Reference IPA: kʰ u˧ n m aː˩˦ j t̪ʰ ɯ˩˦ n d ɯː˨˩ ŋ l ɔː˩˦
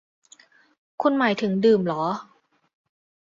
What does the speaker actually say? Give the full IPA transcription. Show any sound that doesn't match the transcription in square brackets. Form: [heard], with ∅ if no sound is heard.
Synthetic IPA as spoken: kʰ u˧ n m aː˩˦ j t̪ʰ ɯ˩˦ [ŋ] d ɯː˨˩ [m] l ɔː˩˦